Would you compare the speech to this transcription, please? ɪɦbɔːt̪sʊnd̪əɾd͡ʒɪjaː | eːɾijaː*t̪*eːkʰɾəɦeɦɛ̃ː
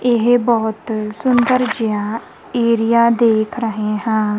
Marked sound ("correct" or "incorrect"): incorrect